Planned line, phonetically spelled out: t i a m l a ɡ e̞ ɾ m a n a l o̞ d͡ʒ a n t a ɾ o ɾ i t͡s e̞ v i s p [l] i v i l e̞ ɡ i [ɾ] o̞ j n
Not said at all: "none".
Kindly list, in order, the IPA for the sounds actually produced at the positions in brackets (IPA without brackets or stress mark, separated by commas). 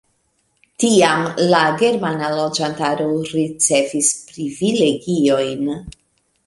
ɾ, none